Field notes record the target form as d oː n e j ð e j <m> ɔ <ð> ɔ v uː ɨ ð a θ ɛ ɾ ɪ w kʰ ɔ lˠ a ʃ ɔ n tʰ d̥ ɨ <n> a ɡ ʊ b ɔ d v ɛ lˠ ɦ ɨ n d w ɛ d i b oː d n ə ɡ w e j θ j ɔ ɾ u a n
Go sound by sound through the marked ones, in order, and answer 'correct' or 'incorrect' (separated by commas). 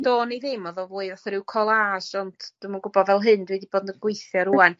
correct, correct, incorrect